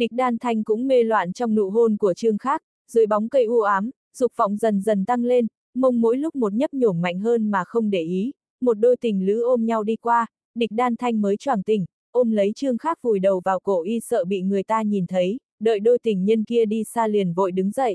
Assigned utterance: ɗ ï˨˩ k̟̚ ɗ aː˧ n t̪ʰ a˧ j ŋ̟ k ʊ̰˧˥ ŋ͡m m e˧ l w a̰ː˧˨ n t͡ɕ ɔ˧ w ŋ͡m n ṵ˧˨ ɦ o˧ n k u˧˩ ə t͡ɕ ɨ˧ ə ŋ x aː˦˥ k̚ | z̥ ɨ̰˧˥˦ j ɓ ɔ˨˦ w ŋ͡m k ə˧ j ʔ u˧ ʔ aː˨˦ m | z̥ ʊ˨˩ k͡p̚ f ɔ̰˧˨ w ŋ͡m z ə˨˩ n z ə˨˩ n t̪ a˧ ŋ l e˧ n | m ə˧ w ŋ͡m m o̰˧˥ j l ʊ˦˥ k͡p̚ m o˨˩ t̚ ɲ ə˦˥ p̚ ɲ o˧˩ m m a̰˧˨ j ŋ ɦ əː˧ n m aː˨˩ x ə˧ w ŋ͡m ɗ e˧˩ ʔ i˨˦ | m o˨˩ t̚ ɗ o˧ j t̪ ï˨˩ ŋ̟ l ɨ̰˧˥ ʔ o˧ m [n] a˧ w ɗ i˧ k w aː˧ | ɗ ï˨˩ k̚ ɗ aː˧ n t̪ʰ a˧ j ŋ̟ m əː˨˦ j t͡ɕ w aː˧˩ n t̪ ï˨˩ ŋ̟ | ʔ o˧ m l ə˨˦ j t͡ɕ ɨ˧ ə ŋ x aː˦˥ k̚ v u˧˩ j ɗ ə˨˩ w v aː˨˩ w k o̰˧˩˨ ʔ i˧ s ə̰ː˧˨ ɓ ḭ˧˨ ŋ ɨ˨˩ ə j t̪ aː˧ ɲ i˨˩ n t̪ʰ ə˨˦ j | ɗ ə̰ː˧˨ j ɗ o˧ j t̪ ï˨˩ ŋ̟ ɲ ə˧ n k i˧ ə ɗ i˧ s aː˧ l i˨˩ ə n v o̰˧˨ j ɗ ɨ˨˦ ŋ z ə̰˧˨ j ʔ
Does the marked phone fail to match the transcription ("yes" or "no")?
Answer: yes